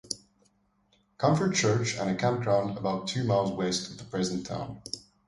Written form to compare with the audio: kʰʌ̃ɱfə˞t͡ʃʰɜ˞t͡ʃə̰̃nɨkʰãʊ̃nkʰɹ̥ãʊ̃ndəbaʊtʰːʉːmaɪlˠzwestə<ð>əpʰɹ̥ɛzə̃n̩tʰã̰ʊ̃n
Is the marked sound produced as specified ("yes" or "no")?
yes